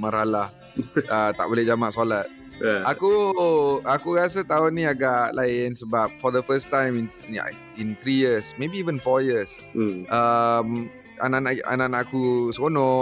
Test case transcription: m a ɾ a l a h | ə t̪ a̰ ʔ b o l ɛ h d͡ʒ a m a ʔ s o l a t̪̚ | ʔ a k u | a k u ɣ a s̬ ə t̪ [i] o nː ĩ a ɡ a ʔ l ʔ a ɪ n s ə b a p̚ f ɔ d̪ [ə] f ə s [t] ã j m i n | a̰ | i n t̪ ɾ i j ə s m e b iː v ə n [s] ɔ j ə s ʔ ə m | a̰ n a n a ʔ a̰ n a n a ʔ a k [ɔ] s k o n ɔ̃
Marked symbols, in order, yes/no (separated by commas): no, yes, yes, no, no